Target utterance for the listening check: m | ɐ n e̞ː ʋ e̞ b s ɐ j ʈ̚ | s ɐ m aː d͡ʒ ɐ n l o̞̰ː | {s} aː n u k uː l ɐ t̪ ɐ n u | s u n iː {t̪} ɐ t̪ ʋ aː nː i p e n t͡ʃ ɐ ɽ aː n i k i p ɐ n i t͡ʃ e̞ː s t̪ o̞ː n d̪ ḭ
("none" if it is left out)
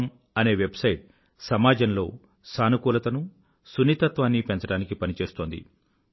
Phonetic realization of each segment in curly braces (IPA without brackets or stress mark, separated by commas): s, t̪